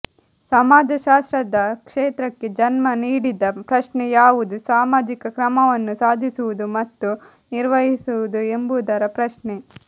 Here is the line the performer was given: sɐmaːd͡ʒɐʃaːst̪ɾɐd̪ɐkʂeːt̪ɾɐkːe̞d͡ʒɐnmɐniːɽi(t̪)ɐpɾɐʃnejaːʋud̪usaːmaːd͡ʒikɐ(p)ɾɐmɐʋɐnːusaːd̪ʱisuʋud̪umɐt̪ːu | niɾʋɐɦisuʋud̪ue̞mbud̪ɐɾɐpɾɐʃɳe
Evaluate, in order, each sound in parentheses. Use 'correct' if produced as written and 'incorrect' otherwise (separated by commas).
incorrect, incorrect